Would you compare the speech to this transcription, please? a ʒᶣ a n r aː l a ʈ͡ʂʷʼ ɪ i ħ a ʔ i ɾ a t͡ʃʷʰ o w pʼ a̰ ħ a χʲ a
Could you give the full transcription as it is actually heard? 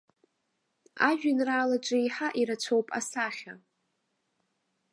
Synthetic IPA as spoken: a ʒᶣ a n r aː l a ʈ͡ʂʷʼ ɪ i ħ a ʔ i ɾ a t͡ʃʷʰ o w pʼ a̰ s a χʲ a